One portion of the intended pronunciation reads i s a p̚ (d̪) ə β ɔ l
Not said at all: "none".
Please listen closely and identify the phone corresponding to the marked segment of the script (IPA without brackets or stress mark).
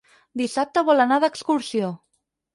t̪